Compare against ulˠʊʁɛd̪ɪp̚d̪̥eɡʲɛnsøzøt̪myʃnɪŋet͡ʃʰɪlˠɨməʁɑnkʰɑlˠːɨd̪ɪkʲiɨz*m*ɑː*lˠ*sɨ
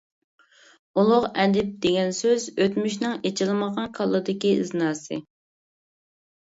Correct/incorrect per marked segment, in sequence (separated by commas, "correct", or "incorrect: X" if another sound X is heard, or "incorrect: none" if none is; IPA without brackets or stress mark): incorrect: n, incorrect: none